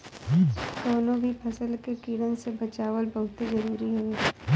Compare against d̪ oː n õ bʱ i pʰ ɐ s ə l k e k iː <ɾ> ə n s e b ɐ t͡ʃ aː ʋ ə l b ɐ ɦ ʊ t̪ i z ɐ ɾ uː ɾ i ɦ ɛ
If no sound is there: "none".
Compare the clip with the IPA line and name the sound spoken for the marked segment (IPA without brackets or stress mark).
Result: ɽ